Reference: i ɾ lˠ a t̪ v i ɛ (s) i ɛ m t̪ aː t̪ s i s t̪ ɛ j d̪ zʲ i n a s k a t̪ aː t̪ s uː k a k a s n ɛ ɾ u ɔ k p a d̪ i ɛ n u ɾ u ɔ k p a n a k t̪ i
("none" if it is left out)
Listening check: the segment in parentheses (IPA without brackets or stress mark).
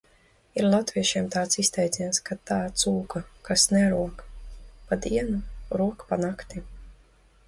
ʃ